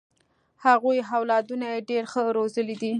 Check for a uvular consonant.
absent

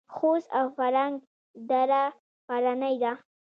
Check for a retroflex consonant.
absent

